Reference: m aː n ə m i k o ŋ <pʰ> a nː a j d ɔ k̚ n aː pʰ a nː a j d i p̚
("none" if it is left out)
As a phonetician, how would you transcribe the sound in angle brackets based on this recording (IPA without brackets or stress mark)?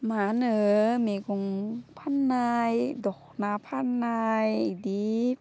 pʰ